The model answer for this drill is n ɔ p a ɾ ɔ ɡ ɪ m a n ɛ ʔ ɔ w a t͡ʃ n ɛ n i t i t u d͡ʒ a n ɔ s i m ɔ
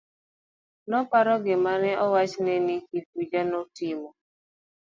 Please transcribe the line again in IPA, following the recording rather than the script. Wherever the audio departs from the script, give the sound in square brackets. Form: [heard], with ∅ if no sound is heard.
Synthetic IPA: n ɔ p a ɾ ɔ ɡ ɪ m a n ɛ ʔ ɔ w a t͡ʃ n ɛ n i [k] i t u d͡ʒ a n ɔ [t] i m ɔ